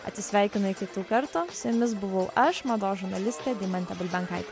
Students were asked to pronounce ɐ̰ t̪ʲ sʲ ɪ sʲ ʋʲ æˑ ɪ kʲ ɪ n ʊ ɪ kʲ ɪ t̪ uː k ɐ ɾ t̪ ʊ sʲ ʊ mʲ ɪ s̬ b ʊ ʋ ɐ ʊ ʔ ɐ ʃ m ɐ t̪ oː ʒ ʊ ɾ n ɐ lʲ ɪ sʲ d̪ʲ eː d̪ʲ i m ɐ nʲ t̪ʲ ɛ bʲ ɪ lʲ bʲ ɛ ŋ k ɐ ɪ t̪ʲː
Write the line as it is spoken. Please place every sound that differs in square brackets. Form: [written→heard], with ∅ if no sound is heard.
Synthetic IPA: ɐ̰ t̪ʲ sʲ ɪ sʲ ʋʲ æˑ ɪ kʲ ɪ n ʊ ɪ kʲ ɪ t̪ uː k ɐ ɾ t̪ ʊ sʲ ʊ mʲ ɪ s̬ b ʊ ʋ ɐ ʊ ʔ ɐ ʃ m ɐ [t̪→d̪] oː ʒ ʊ ɾ n ɐ lʲ ɪ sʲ [d̪ʲ→t̪ʲ] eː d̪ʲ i m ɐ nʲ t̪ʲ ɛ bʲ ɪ lʲ bʲ ɛ ŋ k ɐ ɪ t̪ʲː